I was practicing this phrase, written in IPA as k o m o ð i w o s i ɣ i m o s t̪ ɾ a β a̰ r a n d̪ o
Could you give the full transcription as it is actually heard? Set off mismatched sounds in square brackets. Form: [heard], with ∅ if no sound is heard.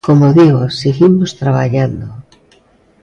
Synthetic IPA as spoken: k o m o ð i [ɣ] o s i ɣ i m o s t̪ ɾ a β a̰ [ʎ] a n d̪ o